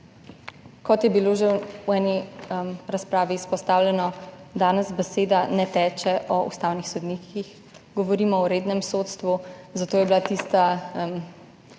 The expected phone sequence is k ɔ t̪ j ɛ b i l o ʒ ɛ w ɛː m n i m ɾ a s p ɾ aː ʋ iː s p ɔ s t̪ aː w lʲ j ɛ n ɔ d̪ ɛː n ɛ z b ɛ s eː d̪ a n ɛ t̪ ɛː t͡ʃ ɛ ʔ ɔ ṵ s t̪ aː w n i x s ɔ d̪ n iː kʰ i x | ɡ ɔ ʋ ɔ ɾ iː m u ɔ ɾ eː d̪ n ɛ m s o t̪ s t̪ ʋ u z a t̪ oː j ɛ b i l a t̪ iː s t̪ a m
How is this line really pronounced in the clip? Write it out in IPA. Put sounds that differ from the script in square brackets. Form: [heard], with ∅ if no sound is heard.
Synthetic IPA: k ɔ t̪ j ɛ b i l o ʒ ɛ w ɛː [∅] n i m ɾ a s p ɾ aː ʋ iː s p ɔ s t̪ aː w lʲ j ɛ n ɔ d̪ [aː] n ɛ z b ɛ s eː d̪ a n ɛ t̪ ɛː t͡ʃ ɛ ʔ ɔ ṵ s t̪ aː w n i x s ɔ d̪ n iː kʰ i x | ɡ ɔ ʋ ɔ ɾ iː m [ɔ] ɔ ɾ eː d̪ n ɛ m s o t̪ s t̪ ʋ u z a t̪ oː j ɛ b i l a t̪ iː s t̪ a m